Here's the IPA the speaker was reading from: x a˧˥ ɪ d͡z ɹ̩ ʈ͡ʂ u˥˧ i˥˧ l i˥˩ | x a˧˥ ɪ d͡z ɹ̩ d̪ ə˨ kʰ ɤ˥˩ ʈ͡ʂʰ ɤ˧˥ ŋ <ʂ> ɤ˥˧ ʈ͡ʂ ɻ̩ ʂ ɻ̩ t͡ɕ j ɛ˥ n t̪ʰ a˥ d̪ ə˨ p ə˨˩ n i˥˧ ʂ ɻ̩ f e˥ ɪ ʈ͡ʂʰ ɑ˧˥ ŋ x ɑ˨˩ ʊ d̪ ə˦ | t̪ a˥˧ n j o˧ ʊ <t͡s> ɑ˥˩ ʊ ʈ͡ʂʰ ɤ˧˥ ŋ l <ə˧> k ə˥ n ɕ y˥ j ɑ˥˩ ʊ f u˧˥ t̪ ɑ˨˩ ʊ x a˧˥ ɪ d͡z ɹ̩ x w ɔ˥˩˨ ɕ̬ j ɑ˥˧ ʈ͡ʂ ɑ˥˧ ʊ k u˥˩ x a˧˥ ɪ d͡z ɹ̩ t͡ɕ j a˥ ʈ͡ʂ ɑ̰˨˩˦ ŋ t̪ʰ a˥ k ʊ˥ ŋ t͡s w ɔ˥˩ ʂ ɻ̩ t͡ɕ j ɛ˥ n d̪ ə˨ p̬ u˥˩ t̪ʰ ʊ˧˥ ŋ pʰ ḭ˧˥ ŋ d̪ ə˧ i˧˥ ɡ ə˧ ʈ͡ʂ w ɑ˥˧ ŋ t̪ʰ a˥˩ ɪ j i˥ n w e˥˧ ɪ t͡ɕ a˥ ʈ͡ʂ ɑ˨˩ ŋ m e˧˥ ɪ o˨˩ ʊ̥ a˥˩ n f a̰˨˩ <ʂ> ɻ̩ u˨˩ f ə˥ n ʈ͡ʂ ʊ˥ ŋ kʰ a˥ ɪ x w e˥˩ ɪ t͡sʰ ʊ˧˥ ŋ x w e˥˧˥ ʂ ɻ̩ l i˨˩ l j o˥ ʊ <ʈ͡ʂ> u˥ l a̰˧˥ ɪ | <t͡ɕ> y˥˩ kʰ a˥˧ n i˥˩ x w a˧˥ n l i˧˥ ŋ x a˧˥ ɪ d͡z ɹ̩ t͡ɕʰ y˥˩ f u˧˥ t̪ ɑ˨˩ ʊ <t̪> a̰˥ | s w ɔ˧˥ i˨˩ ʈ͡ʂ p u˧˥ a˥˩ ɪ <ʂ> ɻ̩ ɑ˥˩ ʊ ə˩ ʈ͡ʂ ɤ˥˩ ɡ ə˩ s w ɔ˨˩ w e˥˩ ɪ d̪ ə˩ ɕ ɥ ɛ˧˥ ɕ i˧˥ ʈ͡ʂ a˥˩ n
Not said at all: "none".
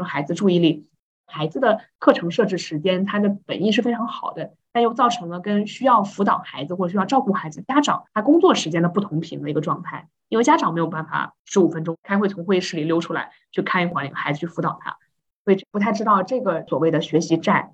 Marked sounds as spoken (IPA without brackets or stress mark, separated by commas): ʂ, t͡s, ə˧, ʂ, ʈ͡ʂʰ, t͡ɕʰ, t̪ʰ, ʈ͡ʂ